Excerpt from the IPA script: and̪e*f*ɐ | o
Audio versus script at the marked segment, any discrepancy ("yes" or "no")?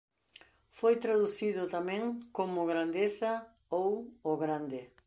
yes